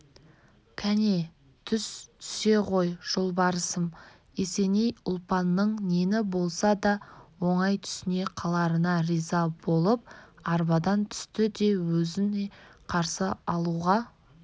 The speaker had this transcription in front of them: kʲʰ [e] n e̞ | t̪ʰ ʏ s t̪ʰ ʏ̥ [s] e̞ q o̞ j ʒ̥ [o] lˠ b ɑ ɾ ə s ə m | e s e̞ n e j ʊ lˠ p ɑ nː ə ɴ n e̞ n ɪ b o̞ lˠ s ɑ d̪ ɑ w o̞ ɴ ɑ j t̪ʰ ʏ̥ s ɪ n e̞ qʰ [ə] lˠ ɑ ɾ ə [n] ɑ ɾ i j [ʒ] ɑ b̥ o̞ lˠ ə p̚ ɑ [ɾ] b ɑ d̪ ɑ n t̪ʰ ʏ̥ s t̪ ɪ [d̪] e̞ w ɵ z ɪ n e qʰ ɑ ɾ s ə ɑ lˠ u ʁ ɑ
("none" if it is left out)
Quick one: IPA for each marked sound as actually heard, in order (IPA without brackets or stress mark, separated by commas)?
æ, s, o, ɑ, n, z, ɾ, d̪